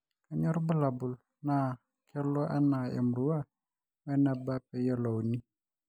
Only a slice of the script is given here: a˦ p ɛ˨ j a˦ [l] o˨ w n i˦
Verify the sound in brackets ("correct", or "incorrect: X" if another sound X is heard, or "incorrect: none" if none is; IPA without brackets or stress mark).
correct